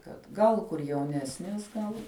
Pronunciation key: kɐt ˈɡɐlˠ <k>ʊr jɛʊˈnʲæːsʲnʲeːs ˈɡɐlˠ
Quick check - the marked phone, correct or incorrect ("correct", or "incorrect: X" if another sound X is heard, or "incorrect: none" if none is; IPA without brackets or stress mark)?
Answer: correct